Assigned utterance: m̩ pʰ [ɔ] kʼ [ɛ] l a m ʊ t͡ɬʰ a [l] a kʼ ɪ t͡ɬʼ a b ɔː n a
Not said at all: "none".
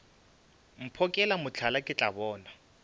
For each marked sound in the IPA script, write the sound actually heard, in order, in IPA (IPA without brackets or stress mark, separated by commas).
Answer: ɔ, ɛ, l